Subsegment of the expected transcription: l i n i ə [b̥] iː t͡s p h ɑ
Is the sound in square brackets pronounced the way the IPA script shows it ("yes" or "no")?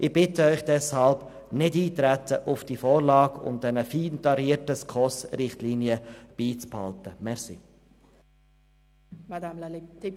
yes